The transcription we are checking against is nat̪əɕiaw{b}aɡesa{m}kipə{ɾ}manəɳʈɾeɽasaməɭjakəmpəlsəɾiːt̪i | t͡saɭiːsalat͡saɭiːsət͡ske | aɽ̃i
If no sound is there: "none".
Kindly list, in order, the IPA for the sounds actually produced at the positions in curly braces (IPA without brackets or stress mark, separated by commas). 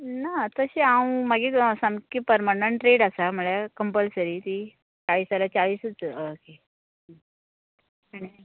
m, m, ɾ